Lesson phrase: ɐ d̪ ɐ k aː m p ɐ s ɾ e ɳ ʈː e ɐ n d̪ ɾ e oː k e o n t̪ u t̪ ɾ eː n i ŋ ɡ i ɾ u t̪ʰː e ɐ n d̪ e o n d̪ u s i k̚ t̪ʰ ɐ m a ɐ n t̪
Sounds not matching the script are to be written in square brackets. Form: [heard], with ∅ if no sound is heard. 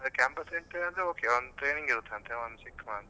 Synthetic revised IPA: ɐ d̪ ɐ k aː m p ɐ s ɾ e ɳ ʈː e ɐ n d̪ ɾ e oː k e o n [d̪] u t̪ ɾ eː n i ŋ ɡ i ɾ u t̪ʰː e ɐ n [t̪] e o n d̪ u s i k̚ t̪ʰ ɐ m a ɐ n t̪